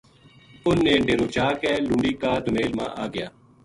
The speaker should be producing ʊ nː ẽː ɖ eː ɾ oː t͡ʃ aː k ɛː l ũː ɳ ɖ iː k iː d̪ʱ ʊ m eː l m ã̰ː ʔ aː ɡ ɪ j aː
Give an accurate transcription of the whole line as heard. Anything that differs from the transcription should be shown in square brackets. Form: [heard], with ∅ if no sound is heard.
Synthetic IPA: ʊ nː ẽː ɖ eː ɾ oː t͡ʃ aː k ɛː l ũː ɳ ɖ iː k [aː] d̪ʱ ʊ m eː l m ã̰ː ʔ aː ɡ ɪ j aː